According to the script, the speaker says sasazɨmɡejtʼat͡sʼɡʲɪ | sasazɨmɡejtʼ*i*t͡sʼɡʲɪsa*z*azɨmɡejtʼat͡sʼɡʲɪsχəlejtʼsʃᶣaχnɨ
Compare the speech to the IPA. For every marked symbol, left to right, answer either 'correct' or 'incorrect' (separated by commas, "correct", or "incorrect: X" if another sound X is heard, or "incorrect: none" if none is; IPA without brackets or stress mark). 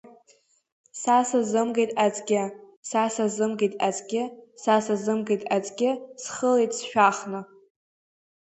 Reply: incorrect: a, incorrect: s